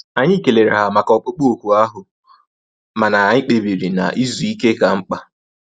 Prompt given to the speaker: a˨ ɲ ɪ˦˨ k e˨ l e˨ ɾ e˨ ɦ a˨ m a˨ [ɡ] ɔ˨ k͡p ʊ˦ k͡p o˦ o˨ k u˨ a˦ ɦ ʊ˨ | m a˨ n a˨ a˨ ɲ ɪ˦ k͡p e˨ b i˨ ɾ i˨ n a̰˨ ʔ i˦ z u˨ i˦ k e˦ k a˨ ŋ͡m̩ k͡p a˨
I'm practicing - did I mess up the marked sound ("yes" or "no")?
yes